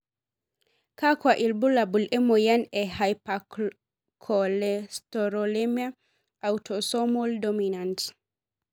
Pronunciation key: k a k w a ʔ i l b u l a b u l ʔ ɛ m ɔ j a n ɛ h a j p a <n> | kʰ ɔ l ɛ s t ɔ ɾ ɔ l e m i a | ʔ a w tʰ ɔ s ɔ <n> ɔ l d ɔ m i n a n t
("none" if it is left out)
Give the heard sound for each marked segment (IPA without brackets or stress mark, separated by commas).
none, m